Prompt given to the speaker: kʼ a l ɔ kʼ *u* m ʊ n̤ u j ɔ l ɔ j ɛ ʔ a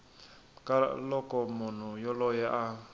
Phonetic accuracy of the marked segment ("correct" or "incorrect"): incorrect